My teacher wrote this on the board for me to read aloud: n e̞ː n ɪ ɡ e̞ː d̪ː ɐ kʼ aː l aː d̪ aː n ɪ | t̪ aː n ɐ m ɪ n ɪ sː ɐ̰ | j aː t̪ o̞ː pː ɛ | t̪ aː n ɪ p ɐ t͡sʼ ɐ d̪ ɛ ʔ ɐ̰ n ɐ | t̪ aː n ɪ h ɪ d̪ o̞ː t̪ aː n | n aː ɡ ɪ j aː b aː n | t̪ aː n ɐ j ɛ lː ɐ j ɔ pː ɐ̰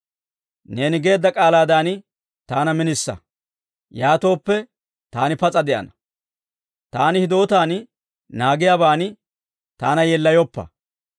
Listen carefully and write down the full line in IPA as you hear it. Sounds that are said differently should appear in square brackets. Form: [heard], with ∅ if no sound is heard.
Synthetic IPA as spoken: n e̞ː n ɪ ɡ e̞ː d̪ː ɐ kʼ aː l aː d̪ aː n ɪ | t̪ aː n ɐ m ɪ n ɪ sː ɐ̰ | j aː t̪ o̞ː pː ɛ | t̪ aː n ɪ p ɐ t͡sʼ ɐ d̪ ɛ ʔ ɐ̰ n ɐ | t̪ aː n ɪ h ɪ d̪ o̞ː t̪ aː n | n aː ɡ ɪ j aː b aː n | t̪ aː n ɐ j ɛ lː ɐ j ɔ pː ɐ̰